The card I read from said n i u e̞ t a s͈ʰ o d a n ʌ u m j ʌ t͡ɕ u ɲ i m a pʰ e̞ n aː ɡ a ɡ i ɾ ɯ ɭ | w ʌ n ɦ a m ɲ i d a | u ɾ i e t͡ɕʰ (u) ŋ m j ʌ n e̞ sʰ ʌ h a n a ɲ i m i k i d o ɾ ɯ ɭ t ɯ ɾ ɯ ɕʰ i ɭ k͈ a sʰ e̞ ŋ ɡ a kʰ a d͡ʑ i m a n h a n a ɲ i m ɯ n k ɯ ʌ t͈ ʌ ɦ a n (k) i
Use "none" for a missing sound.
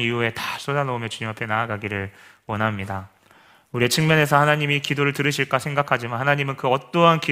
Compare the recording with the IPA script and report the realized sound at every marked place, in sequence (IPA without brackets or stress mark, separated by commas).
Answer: ɯ, k